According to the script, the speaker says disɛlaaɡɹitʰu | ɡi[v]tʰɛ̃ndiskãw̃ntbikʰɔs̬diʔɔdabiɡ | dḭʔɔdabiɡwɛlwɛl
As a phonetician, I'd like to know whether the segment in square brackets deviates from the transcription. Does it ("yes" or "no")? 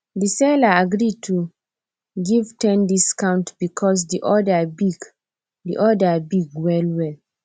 no